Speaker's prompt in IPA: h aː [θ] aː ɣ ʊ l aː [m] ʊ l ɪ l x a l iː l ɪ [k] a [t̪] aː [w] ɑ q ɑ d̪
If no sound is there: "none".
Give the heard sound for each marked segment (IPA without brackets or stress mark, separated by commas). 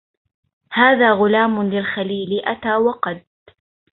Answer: ð, m, ʔ, t̪, w